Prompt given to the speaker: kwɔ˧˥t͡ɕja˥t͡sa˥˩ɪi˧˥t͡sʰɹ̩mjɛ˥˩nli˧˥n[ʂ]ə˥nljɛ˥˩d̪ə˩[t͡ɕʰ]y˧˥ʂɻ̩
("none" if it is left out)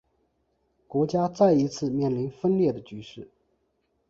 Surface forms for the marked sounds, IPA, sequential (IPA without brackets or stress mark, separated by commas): f, t͡ɕ